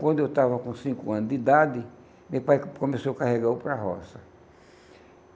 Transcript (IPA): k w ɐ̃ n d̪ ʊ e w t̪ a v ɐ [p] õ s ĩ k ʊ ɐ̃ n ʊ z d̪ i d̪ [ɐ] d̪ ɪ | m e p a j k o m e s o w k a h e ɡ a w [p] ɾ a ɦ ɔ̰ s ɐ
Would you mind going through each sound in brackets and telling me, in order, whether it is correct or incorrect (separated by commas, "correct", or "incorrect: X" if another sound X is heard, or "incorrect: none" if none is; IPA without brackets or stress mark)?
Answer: incorrect: k, incorrect: a, correct